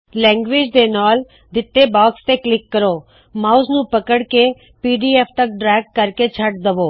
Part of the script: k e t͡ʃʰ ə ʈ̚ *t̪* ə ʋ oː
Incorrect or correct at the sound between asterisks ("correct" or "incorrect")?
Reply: incorrect